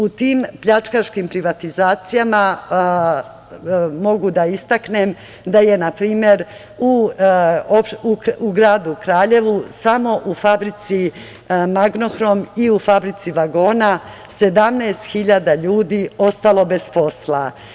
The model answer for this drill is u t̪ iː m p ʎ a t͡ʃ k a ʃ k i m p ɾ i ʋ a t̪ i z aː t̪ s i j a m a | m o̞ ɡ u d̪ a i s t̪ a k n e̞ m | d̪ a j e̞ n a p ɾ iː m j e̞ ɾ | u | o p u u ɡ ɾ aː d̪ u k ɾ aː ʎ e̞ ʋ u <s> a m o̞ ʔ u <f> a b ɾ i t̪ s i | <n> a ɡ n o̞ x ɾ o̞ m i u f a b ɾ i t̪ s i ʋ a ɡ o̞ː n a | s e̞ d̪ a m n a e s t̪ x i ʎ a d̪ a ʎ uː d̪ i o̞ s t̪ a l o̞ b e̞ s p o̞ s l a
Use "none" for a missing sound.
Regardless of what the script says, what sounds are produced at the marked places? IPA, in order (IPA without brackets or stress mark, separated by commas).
s, f, m